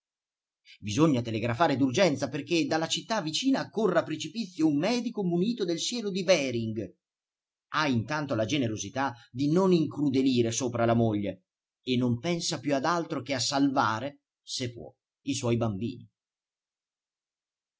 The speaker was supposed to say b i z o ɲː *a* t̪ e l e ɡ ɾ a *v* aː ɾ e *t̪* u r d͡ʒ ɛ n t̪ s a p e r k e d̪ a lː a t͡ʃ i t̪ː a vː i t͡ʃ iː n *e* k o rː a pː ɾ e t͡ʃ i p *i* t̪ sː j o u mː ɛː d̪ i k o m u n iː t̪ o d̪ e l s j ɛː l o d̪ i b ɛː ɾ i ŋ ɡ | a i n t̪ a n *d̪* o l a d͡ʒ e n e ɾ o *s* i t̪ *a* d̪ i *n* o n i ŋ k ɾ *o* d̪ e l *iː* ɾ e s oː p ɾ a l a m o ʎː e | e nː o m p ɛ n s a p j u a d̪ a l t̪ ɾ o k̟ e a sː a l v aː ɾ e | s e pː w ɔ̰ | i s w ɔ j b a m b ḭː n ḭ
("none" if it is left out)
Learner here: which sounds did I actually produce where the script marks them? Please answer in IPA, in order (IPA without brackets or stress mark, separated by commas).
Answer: a, f, d̪, a, i, t̪, z, a, n, u, iː